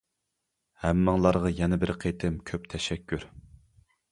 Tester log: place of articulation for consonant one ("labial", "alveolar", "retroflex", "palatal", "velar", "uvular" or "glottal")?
glottal